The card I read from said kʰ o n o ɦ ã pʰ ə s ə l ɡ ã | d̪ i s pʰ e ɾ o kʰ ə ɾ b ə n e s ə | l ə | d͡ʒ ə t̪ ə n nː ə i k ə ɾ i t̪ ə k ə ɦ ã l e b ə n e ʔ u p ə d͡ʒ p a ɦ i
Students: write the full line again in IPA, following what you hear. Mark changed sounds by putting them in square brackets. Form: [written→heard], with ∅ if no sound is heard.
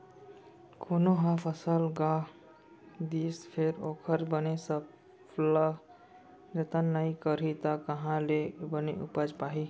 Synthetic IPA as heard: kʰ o n o ɦ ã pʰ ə s ə l ɡ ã | d̪ i s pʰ e ɾ o kʰ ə ɾ b ə n e s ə | l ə | d͡ʒ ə t̪ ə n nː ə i k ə ɾ i t̪ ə k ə ɦ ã l e b ə n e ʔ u p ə d͡ʒ p a ɦ i